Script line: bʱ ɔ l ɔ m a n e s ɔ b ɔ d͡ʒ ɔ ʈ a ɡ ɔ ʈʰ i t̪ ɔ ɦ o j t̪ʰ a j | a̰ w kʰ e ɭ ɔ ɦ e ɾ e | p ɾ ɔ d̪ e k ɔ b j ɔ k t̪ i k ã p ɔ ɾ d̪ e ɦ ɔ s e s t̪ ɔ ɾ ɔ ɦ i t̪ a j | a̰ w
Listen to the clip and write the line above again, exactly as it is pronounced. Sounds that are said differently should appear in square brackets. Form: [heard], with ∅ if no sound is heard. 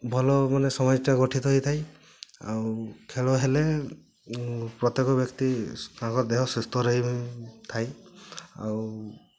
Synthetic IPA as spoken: bʱ ɔ l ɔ m a n e s ɔ [m] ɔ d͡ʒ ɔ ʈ a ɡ ɔ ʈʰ i t̪ ɔ ɦ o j t̪ʰ a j | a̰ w kʰ e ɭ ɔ ɦ e [l] e | p ɾ ɔ [t̪] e k ɔ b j ɔ k t̪ i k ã [k] ɔ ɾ d̪ e ɦ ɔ s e s t̪ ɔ ɾ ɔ ɦ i [t̪ʰ] a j | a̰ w